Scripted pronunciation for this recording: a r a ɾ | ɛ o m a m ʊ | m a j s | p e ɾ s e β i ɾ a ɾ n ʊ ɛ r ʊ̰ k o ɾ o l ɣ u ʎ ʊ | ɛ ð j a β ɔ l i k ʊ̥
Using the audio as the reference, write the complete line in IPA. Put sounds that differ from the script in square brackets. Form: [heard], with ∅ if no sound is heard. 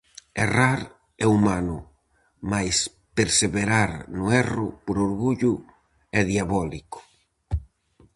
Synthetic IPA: [e] r a ɾ | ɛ [u] m a [n] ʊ | m a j s | p e ɾ s e β [e] ɾ a ɾ n ʊ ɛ r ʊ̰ [p] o ɾ o [ɾ] ɣ u ʎ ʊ | ɛ ð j a β ɔ l i k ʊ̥